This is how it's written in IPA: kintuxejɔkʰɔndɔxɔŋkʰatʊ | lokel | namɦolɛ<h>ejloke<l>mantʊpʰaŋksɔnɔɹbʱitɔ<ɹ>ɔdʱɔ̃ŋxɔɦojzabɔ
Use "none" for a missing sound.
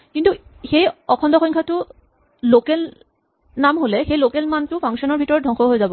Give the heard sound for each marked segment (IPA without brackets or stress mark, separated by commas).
x, l, ɹ